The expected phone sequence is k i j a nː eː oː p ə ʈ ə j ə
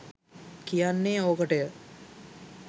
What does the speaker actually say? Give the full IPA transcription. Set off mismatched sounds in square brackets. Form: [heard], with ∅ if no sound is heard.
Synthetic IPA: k i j a nː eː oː [k] ə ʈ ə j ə